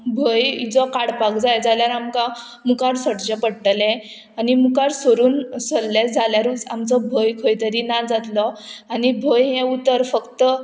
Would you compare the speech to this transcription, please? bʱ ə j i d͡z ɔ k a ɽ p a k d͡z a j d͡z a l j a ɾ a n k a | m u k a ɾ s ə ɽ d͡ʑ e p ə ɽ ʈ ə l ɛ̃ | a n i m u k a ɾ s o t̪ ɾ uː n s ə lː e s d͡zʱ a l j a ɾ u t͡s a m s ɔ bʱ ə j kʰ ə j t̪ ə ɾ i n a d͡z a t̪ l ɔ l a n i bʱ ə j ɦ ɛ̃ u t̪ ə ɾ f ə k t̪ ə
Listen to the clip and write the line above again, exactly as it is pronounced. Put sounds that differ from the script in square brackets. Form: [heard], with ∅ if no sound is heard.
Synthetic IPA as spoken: bʱ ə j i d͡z ɔ k a ɽ p a k d͡z a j d͡z a l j a ɾ a [m] k a | m u k a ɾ s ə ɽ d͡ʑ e p ə ɽ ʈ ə l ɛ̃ | a n i m u k a ɾ s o [∅] ɾ uː n s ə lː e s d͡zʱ a l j a ɾ u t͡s a m [t͡s] ɔ bʱ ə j kʰ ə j t̪ ə ɾ i n a d͡z a t̪ l ɔ [∅] a n i bʱ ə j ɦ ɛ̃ u t̪ ə ɾ f ə k t̪ ə